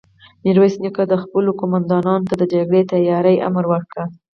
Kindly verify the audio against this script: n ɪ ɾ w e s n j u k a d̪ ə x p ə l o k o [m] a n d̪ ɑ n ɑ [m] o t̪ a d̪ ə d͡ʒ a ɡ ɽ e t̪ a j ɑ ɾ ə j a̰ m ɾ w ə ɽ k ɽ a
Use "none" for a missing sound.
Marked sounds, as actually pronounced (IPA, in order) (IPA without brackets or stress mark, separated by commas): m, n